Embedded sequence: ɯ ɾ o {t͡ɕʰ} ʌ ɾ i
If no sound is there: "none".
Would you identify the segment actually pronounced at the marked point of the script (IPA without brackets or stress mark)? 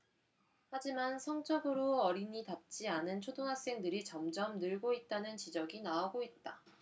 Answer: none